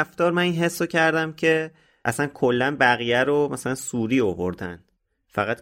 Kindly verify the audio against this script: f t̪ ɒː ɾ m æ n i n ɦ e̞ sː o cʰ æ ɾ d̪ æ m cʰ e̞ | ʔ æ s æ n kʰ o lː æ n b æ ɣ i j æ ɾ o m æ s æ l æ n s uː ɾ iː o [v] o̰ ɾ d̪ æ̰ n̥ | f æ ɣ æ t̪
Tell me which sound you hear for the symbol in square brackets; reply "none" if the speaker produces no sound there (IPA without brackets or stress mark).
v